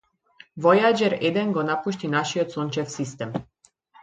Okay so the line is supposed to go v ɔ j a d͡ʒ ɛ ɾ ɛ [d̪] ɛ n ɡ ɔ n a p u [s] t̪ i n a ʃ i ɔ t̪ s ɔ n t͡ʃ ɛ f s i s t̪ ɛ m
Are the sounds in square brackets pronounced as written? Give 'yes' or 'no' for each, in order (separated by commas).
yes, no